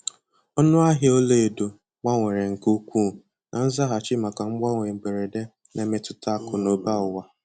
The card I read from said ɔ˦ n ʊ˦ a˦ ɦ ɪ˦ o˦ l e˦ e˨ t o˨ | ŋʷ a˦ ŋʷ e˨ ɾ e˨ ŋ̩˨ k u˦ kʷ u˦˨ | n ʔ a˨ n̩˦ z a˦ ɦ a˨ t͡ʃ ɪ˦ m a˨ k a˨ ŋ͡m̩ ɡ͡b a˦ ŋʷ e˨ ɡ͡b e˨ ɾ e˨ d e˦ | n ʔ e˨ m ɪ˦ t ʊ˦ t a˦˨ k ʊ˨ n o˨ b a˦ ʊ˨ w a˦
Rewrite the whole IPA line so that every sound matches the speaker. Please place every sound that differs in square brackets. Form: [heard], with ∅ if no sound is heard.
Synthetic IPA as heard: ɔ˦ n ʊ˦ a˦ ɦ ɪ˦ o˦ l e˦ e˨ [d] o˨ | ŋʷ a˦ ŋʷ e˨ ɾ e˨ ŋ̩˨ k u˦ kʷ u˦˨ | n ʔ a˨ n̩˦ z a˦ ɦ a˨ t͡ʃ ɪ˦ m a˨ k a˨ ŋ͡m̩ ɡ͡b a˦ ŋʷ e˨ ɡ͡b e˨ ɾ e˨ d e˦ | n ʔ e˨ m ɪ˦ t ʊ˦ t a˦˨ k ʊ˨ n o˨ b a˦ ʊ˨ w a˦